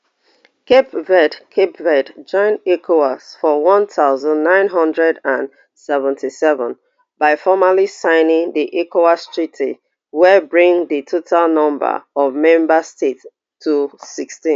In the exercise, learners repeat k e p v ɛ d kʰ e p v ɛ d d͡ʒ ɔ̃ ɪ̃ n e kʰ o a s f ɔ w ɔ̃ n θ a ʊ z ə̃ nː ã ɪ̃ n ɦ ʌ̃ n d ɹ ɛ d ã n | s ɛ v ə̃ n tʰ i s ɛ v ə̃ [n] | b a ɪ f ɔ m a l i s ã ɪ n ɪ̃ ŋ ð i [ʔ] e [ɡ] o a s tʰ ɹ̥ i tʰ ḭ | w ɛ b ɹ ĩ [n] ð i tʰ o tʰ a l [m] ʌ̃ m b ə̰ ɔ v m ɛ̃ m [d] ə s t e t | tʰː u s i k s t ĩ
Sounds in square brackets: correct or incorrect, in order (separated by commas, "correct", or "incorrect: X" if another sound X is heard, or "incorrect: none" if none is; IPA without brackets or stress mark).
correct, correct, incorrect: k, incorrect: ŋ, incorrect: n, incorrect: b